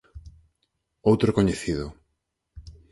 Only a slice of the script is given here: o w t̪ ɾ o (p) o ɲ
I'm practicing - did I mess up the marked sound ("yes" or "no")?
yes